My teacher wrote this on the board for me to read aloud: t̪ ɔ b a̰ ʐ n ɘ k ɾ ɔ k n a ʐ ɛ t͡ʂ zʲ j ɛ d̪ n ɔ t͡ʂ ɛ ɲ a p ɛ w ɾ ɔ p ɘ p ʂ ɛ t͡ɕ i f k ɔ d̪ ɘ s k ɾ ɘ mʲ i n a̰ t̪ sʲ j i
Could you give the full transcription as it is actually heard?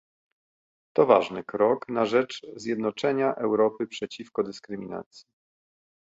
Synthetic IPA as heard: t̪ ɔ v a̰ ʐ n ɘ k ɾ ɔ k n a ʐ ɛ t͡ʂ zʲ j ɛ d̪ n ɔ t͡ʂ ɛ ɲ a ʔ ɛ w ɾ ɔ p ɘ p ʂ ɛ t͡ɕ i f k ɔ d̪ ɘ s k ɾ ɘ mʲ i n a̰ t̪ sʲ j i